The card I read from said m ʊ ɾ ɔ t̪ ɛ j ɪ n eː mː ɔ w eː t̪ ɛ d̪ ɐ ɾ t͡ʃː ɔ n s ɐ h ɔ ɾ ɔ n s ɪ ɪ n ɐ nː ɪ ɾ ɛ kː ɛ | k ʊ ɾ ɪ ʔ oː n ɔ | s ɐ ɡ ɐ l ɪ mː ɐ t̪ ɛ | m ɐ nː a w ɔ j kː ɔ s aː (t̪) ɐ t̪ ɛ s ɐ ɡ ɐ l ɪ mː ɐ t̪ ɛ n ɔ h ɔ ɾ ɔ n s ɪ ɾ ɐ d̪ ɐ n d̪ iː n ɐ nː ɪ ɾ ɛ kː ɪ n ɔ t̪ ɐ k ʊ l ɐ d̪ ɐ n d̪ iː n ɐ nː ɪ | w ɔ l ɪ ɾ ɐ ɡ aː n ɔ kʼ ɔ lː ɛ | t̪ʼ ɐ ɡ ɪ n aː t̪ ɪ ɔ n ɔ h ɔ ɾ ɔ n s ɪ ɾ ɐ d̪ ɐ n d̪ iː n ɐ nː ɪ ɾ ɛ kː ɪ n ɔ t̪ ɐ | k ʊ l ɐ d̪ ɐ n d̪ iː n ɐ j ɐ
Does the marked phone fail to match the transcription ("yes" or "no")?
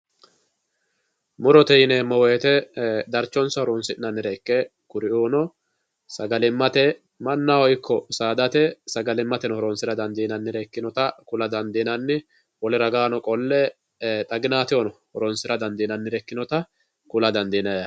yes